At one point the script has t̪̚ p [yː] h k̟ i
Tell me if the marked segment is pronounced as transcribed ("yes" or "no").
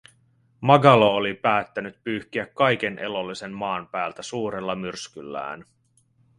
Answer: yes